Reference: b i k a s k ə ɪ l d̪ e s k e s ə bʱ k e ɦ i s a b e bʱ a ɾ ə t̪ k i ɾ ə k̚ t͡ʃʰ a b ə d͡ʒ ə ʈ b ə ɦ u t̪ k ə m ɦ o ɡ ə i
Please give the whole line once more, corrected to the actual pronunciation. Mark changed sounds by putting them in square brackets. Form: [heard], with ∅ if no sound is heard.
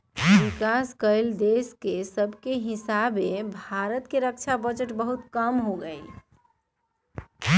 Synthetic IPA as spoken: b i k a s k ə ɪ l d̪ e s k e s ə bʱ k e ɦ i s a b e bʱ a ɾ ə t̪ k [e] ɾ ə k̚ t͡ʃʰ a b ə d͡ʒ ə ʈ b ə ɦ u t̪ k ə m ɦ o ɡ ə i

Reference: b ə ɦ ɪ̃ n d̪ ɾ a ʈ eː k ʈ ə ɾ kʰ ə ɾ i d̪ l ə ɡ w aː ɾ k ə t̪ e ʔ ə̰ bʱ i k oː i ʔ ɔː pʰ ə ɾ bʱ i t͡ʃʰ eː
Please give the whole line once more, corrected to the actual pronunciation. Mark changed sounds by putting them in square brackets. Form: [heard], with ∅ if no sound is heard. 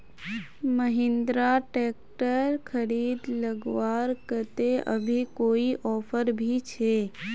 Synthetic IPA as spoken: [m] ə ɦ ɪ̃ n d̪ ɾ a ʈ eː k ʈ ə ɾ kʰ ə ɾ [iː] d̪ l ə ɡ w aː ɾ k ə t̪ e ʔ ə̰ bʱ i k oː i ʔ ɔː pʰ ə ɾ bʱ i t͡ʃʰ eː

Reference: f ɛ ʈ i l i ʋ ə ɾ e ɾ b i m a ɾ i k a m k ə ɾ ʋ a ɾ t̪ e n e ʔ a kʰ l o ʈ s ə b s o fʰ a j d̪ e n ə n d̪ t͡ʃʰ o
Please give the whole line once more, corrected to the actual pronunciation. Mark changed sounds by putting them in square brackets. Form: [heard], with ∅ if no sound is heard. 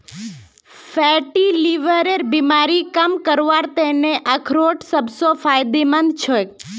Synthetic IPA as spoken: f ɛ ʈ i l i ʋ ə ɾ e ɾ b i m a ɾ i k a m k ə ɾ ʋ a ɾ t̪ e n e ʔ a kʰ [ɾ] o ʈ s ə b s o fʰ a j d̪ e [m] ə n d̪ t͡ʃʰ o

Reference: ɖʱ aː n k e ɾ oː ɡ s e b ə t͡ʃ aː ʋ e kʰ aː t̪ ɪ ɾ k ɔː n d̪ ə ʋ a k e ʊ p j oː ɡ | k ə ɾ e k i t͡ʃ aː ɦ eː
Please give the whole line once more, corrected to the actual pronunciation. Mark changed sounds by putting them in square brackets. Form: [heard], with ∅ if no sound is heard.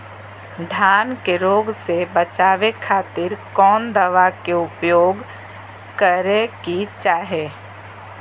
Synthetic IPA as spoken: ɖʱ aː n k e ɾ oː ɡ s e b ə t͡ʃ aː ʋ e kʰ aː t̪ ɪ ɾ k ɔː n d̪ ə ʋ a k e ʊ p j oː ɡ | k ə ɾ e k i t͡ʃ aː ɦ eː

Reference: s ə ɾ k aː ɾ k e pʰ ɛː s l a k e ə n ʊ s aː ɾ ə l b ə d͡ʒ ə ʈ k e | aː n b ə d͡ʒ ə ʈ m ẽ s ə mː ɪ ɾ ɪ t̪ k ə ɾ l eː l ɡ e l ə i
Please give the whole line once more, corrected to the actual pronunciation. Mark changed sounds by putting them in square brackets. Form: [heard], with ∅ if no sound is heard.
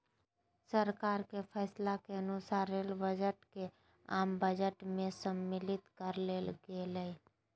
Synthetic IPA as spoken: s ə ɾ k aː ɾ k e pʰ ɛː s l a k e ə n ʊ s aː ɾ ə l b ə d͡ʒ ə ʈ k e | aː [m] b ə d͡ʒ ə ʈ m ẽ s ə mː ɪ [l] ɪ t̪ k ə ɾ l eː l ɡ e l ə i

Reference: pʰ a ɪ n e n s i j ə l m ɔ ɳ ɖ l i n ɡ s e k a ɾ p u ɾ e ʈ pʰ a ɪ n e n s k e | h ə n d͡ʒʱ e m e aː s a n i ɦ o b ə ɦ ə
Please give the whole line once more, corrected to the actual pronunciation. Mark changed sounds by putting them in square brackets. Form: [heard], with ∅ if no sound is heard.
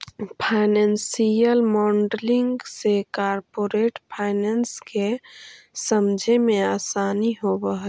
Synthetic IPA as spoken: pʰ a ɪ n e n s i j ə l m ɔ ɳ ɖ l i [ŋ] ɡ s e k a ɾ p [o] ɾ e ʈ pʰ a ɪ n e n s k e | [s] ə [m] d͡ʒʱ e m e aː s a n i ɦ o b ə ɦ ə

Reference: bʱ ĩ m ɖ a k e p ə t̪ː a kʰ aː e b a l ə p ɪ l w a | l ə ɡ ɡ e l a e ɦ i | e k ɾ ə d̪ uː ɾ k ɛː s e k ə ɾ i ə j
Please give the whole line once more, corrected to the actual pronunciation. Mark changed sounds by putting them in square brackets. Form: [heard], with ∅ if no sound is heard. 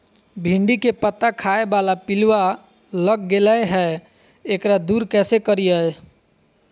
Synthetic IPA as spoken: bʱ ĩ [ɳ] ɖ [i] k e p ə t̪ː a kʰ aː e b a l [a] p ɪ l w a | l ə ɡ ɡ e l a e ɦ [ɛ] | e k ɾ [a] d̪ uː ɾ k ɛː s e k ə ɾ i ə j

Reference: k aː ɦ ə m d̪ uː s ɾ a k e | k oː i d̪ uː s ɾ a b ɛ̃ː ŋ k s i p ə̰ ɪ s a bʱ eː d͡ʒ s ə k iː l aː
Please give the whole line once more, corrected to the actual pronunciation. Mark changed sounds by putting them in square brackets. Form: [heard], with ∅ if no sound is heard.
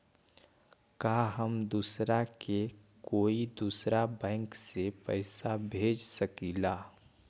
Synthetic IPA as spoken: k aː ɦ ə m d̪ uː s ɾ a k e | k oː i d̪ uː s ɾ a b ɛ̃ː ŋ k s [e] p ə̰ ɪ s a bʱ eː d͡ʒ s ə k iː l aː

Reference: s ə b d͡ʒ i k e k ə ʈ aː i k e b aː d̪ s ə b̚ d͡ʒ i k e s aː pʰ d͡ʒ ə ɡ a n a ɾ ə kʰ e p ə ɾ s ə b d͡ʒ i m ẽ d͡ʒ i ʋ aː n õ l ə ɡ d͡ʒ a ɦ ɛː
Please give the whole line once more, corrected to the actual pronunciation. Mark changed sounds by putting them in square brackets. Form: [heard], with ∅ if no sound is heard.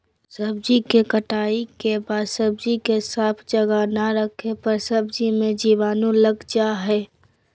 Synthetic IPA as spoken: s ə b d͡ʒ i k e k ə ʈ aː i k e b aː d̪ s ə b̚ d͡ʒ i k e s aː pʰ d͡ʒ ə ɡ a n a ɾ ə kʰ e p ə ɾ s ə b d͡ʒ i m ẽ d͡ʒ i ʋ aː n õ l ə ɡ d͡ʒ a ɦ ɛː

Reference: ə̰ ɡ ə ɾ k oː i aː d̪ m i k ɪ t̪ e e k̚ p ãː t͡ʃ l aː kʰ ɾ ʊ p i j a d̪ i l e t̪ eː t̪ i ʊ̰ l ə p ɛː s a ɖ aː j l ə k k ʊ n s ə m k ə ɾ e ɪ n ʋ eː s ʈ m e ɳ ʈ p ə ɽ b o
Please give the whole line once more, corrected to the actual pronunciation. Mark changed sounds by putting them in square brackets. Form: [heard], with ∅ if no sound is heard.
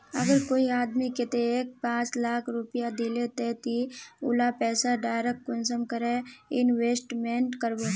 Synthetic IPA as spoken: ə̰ ɡ ə ɾ k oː i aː d̪ m i k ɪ t̪ e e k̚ p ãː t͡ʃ l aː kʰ ɾ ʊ p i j a d̪ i l e t̪ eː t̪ i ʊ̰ l [a] p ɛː s a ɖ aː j [ɾ] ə k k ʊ n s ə m k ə ɾ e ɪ n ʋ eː s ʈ m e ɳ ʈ [k] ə [ɾ] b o

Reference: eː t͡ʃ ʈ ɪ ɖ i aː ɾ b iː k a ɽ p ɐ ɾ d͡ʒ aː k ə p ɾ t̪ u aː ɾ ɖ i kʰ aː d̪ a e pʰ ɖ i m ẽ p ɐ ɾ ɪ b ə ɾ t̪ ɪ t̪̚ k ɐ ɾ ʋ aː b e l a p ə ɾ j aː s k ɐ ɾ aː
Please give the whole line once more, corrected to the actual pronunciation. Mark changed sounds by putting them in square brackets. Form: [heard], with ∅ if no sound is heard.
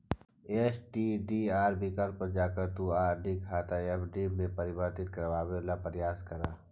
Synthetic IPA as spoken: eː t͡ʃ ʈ [i] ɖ i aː ɾ b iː k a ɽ p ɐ ɾ d͡ʒ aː k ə [∅] ɾ t̪ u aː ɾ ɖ i kʰ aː [t̪] a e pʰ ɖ i m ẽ p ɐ ɾ ɪ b ə ɾ t̪ ɪ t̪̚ k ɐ ɾ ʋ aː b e l a p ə ɾ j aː s k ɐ ɾ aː

